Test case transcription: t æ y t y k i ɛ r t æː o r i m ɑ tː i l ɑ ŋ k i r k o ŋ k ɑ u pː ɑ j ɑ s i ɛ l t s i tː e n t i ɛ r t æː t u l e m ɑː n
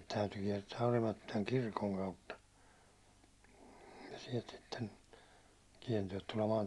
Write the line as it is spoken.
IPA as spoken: t æ y t y k i ɛ r t æː o r i m ɑ tː i l ɑ ŋ k i r k o ŋ k ɑ u tː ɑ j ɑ s i ɛ l t s i tː e n k i ɛ r t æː t u l e m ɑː n